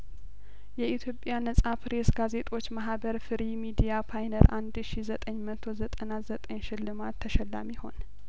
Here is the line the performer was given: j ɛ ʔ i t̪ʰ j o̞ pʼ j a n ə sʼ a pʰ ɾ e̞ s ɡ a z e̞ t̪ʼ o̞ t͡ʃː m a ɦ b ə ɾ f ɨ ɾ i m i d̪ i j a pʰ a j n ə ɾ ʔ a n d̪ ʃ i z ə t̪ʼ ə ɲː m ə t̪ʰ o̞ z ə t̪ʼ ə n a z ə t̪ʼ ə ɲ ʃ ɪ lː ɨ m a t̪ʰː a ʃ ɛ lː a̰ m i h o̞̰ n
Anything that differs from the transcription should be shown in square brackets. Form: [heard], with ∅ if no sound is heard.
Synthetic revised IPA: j ɛ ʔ i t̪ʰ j o̞ pʼ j a n ə sʼ a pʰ ɾ e̞ s ɡ a z e̞ t̪ʼ o̞ t͡ʃː m a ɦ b ə ɾ f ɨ ɾ i m i d̪ i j a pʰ a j n ə ɾ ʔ a n d̪ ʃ i z ə t̪ʼ ə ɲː m ə t̪ʰ o̞ z ə t̪ʼ ə n a z ə t̪ʼ ə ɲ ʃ ɪ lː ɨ m a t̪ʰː [ə] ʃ ɛ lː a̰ m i h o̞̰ n